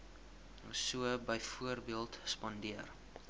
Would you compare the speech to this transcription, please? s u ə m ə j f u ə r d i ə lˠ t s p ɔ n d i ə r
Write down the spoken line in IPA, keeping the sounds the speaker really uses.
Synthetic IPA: s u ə b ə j f u ə r b i ə lˠ t s p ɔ n d i ə r